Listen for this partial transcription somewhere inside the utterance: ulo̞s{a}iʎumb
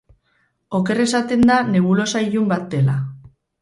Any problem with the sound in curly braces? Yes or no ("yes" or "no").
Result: no